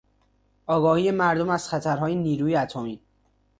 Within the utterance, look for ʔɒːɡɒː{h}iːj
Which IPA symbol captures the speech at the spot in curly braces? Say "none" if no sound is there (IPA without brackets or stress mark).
h